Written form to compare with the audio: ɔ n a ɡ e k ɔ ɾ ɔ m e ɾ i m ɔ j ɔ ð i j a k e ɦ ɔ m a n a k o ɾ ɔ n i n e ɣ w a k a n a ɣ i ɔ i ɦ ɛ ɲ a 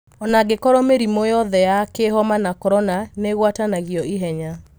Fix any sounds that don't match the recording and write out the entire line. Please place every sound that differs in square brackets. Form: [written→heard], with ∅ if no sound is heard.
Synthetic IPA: ɔ n a ɡ e k ɔ ɾ ɔ m e ɾ i m ɔ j ɔ ð [i→ɛ] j a k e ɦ ɔ m a n a k [o→ɔ] ɾ ɔ n [i→a] n e ɣ w a [k→t] a n a ɣ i ɔ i ɦ ɛ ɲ a